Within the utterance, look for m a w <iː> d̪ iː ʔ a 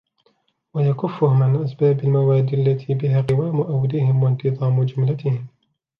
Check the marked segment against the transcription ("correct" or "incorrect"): incorrect